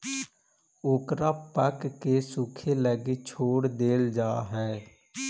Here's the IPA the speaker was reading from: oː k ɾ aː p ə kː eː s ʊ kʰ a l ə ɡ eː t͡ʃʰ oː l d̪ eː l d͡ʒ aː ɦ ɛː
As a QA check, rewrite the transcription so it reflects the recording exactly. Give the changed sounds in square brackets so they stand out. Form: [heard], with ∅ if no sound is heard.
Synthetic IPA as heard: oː k ɾ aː p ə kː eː s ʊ kʰ [e] l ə ɡ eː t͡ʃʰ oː [ɽ] d̪ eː l d͡ʒ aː ɦ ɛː